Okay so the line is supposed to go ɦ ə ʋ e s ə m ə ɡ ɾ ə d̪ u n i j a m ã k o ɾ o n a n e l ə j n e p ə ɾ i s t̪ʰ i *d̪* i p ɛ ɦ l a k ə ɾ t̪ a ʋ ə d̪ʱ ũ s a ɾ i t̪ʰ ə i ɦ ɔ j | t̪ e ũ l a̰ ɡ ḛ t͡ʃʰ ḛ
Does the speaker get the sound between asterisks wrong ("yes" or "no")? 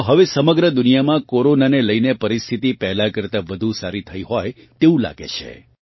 yes